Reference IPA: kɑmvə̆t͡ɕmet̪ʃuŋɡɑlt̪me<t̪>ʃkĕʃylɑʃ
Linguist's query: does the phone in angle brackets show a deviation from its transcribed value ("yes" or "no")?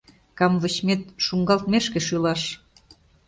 yes